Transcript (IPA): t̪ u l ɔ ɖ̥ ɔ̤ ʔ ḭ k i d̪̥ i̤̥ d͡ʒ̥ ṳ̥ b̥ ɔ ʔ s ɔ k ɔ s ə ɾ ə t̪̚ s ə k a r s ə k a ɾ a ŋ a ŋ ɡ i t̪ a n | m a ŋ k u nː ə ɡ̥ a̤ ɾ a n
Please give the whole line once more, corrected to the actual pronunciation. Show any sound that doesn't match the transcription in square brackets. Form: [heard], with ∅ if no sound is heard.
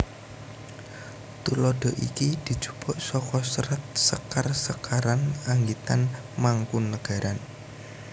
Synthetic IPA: t̪ u l ɔ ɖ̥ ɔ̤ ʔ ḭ k i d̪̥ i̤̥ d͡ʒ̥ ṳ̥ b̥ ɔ ʔ s ɔ k ɔ s ə ɾ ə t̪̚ s ə k a r s ə k a ɾ a [n] a ŋ ɡ i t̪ a n | m a ŋ k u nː ə ɡ̥ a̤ ɾ a n